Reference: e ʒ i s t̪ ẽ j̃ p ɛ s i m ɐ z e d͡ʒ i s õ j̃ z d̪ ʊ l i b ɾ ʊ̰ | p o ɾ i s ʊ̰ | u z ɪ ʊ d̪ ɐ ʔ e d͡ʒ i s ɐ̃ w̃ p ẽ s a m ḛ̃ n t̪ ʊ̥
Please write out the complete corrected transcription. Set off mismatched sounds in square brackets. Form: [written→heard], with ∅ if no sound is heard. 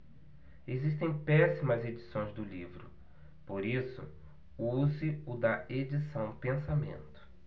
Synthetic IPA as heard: e [ʒ→z] i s t̪ ẽ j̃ p ɛ s i m ɐ z e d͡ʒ i s õ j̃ z d̪ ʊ l i [b→v] ɾ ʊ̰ | p o ɾ i s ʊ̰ | u z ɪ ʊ d̪ ɐ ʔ e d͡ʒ i s ɐ̃ w̃ p ẽ s a m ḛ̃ n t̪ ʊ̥